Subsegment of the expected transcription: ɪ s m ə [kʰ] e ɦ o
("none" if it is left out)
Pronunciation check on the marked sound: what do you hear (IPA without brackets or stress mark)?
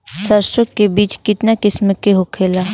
k